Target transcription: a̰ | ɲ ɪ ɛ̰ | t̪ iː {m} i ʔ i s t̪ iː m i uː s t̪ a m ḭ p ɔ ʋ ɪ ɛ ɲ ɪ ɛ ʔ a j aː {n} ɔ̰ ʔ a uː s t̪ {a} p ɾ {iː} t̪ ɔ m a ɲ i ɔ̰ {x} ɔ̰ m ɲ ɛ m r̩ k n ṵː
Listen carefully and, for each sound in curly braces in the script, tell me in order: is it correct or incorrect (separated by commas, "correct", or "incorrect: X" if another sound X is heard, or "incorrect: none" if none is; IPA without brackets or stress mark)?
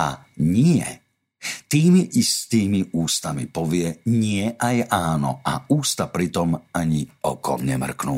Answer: correct, correct, correct, incorrect: i, incorrect: k